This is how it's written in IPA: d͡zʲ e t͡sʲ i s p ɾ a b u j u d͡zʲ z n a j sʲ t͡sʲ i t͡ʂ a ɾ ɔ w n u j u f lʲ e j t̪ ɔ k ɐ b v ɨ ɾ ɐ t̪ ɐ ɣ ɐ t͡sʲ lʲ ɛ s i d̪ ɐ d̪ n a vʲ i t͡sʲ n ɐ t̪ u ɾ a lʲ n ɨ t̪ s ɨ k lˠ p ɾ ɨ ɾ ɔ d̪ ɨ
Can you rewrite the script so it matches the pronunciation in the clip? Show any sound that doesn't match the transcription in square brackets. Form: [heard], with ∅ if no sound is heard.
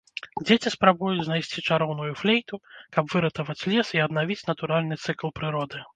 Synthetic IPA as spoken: d͡zʲ e t͡sʲ i s p ɾ a b u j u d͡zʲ z n a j sʲ t͡sʲ i t͡ʂ a ɾ ɔ w n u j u f lʲ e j t̪ [u] k ɐ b v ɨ ɾ ɐ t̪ ɐ [v] ɐ t͡sʲ lʲ ɛ s i [∅] ɐ d̪ n a vʲ i t͡sʲ n ɐ t̪ u ɾ a lʲ n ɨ t̪ s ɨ k lˠ p ɾ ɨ ɾ ɔ d̪ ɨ